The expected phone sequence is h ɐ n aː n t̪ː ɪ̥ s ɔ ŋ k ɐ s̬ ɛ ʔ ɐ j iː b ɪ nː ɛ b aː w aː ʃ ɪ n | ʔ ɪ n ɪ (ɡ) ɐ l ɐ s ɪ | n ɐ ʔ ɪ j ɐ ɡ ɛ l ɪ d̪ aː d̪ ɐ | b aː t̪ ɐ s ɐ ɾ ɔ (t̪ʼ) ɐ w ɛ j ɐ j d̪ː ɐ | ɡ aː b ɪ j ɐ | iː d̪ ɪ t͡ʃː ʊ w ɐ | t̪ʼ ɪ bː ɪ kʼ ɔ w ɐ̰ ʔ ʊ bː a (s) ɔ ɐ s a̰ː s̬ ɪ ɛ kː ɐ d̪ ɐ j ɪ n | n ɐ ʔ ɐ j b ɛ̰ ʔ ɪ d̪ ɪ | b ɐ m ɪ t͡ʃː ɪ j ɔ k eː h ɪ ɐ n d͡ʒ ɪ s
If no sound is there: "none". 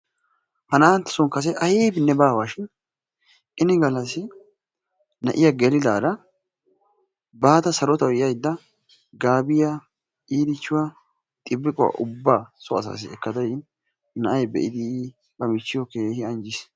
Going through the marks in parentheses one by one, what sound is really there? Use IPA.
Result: ɡ, t̪, s

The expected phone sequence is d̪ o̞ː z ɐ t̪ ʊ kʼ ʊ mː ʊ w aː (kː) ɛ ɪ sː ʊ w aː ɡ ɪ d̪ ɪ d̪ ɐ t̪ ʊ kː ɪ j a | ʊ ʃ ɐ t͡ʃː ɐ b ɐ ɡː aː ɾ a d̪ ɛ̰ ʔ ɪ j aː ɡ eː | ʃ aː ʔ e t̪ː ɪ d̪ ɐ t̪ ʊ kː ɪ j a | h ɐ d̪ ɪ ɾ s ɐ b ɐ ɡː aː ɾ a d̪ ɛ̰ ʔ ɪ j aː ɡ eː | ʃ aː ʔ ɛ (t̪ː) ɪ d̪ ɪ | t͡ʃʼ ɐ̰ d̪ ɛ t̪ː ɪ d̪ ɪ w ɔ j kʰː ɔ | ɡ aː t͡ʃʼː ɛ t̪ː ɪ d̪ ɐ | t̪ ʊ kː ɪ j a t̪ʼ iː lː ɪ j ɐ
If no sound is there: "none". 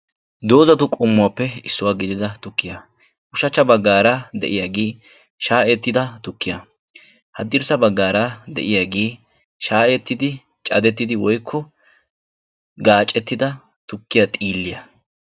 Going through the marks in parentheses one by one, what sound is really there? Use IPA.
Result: pː, t̪ː

